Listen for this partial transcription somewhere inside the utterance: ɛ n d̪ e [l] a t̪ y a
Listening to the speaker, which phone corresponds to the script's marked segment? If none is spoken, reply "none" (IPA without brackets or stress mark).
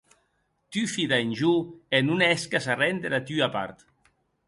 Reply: ɾ